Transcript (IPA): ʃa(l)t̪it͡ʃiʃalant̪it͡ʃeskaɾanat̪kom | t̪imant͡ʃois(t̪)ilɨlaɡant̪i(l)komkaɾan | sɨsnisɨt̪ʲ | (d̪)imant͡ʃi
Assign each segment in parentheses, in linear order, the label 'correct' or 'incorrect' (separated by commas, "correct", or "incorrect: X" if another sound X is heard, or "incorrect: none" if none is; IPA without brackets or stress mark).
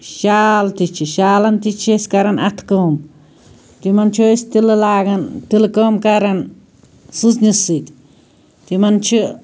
correct, correct, correct, incorrect: t̪